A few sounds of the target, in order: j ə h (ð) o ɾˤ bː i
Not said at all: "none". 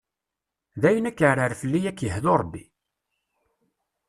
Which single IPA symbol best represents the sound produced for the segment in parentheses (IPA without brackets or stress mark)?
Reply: ð